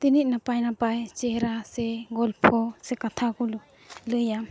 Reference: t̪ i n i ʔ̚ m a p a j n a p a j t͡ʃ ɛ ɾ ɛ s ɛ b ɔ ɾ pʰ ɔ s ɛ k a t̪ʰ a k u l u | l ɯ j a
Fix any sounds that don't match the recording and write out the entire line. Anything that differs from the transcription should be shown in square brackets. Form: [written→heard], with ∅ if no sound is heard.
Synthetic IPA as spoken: t̪ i n i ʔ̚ [m→n] a p a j n a p a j t͡ʃ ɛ ɾ [ɛ→a] s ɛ [b→ɡ] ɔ [ɾ→l] pʰ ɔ s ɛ k a t̪ʰ a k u l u | l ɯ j a